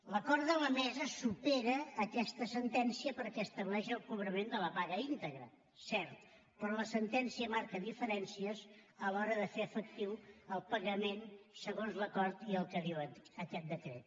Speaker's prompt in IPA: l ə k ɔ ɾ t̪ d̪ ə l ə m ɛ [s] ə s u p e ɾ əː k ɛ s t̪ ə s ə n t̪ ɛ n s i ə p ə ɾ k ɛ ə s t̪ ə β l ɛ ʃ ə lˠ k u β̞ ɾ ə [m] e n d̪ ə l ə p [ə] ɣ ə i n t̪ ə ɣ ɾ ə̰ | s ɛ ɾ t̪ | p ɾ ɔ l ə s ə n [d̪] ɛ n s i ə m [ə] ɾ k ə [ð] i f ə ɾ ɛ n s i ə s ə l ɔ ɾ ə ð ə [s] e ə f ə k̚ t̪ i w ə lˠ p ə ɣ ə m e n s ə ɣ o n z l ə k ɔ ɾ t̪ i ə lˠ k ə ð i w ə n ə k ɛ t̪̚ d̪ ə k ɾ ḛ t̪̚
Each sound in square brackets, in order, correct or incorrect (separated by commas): incorrect, correct, incorrect, incorrect, incorrect, correct, incorrect